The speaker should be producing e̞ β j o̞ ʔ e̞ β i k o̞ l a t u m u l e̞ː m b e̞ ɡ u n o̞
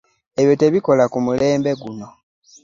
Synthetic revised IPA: e̞ β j o̞ t e̞ β i k o̞ l a k u m u l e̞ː m b e̞ ɡ u n o̞